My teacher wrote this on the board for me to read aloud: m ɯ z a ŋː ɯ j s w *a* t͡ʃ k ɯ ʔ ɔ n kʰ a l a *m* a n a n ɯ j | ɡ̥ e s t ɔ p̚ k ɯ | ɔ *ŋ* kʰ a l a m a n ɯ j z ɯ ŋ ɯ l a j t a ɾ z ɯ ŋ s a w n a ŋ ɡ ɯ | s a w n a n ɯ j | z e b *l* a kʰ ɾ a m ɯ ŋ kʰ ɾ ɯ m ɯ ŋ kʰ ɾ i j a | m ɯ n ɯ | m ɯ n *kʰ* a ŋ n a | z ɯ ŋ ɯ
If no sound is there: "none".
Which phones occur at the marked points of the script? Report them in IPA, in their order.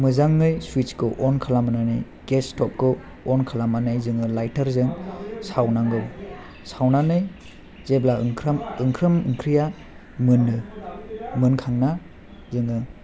i, m, n, l, kʰ

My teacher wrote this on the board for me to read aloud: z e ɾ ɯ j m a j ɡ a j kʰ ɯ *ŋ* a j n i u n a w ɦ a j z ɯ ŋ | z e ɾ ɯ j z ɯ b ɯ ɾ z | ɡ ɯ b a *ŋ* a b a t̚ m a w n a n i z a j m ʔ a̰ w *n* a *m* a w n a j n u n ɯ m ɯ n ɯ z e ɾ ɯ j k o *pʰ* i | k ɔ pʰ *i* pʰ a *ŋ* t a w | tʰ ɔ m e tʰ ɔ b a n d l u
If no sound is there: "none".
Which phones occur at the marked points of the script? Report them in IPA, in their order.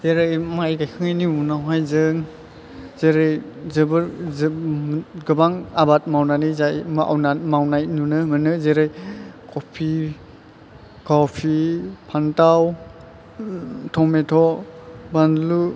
ŋ, ŋ, n, m, pʰ, i, n

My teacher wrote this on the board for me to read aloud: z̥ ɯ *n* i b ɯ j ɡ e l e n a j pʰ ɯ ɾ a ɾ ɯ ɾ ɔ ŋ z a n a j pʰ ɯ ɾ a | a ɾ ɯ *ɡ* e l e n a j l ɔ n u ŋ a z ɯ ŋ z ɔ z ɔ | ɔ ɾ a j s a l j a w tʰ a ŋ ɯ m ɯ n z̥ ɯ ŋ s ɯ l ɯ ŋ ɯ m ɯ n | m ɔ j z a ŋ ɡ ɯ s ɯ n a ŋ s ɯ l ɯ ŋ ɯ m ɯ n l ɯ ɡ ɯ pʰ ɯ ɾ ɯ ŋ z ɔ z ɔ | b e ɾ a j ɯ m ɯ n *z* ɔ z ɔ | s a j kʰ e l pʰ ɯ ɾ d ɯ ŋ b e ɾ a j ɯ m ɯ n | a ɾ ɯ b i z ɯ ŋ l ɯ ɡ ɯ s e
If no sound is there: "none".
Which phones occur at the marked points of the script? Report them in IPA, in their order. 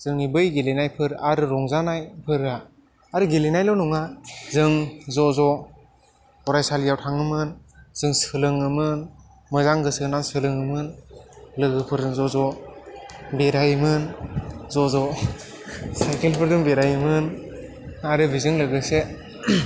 ŋ, ɡ, z

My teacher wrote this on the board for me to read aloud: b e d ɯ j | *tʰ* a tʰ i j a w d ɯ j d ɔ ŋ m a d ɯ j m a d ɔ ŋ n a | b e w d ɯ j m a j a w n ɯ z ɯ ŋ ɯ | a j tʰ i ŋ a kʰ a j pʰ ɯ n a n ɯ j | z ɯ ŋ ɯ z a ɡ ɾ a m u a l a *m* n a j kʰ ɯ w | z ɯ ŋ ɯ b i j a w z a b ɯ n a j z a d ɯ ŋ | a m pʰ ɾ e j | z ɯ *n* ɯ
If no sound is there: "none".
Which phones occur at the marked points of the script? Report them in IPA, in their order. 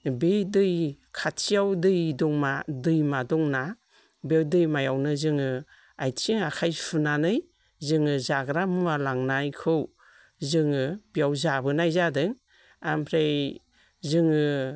kʰ, ŋ, ŋ

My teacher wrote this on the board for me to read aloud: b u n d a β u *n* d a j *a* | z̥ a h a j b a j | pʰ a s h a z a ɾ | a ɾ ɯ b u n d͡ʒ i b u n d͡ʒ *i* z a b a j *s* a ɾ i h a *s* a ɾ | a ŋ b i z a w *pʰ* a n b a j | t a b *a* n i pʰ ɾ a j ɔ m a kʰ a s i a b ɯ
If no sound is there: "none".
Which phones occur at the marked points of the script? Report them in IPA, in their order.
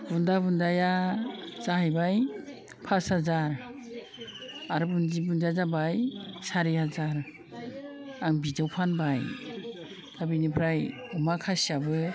n, a, a, s, z, pʰ, i

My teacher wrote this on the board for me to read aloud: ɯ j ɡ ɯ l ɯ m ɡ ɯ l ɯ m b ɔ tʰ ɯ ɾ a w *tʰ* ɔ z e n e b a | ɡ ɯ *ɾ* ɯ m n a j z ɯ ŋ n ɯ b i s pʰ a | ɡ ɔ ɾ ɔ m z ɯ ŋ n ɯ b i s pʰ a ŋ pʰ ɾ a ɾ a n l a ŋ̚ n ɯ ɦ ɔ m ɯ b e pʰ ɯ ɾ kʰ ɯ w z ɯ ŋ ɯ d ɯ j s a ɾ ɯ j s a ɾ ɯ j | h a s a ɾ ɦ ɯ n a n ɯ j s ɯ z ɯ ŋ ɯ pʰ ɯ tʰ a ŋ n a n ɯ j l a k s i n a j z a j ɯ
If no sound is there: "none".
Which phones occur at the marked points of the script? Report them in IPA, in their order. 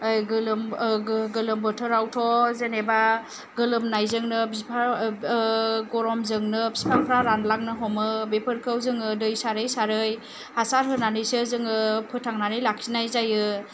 tʰ, l

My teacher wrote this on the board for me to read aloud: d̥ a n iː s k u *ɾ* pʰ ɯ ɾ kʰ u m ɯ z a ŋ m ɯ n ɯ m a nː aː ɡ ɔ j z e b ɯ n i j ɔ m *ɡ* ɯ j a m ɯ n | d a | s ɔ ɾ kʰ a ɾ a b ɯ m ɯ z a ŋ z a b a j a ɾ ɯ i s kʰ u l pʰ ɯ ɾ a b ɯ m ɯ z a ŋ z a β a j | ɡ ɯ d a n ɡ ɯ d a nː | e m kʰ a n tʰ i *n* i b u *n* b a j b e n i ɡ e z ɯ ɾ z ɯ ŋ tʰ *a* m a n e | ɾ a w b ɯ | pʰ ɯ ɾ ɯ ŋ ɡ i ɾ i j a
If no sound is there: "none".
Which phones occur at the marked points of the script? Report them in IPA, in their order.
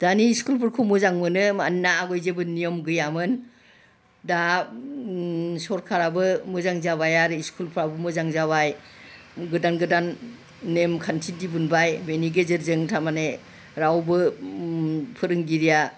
l, ɡ, d, n, a

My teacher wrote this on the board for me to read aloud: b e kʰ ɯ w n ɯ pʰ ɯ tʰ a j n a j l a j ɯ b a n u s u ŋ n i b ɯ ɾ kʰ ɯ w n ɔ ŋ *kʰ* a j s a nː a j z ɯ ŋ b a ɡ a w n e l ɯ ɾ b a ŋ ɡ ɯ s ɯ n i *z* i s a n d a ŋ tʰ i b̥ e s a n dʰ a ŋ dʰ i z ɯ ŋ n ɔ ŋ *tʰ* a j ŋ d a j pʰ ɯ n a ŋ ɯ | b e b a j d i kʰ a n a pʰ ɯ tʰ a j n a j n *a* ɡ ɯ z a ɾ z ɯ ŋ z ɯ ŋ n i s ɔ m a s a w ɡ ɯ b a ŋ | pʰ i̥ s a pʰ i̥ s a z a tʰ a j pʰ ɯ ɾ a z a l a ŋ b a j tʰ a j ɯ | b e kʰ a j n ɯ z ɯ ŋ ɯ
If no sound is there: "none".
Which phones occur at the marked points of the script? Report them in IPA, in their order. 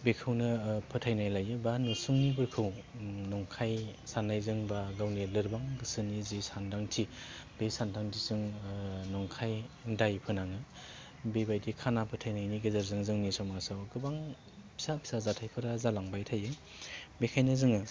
kʰ, z, kʰ, i

